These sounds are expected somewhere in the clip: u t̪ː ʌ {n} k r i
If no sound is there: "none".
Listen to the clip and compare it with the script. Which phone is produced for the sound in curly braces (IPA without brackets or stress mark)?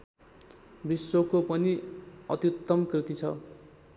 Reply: m